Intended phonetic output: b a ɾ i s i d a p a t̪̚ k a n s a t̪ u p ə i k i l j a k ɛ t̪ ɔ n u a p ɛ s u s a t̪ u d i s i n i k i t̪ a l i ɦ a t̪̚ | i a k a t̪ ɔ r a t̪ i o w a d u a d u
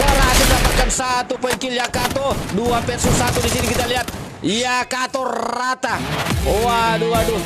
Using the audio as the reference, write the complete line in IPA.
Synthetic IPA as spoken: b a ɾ a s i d a p a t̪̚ k a n s a t̪ u p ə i k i l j a k a t̪ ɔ d u a p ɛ s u s a t̪ u d i s i n i k i t̪ a l i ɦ a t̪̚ | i a k a t̪ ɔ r a t̪ a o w a d u a d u